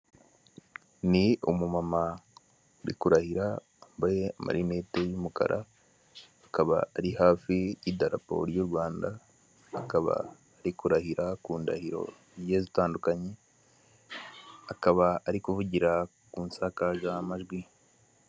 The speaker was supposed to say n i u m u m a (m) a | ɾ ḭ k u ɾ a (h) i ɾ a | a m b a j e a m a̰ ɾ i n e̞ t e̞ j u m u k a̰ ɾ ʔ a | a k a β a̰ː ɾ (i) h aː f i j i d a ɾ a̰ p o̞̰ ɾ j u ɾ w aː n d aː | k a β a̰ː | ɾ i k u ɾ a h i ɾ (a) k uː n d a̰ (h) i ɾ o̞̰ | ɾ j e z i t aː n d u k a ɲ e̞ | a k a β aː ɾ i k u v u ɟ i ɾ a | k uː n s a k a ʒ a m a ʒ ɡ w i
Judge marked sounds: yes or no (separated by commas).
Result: yes, yes, yes, yes, yes